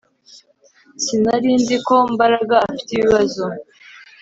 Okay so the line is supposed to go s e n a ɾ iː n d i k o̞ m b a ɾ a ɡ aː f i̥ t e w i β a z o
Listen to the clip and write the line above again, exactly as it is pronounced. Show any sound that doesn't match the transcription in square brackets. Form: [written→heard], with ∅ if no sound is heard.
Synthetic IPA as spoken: s [e→i] n a ɾ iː n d i k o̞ m b a ɾ a ɡ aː f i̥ t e [w→β] i β a z o